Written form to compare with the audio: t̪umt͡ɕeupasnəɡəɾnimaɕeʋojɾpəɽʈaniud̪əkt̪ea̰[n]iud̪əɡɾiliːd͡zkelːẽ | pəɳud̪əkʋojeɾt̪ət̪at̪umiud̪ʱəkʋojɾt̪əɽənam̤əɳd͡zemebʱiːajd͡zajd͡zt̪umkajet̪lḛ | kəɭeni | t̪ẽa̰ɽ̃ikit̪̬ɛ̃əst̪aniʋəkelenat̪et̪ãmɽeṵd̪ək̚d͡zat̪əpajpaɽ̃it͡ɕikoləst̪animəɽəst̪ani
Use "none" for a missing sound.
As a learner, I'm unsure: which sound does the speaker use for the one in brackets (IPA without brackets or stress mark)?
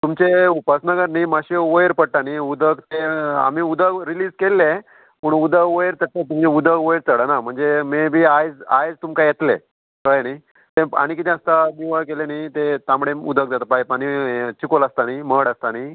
m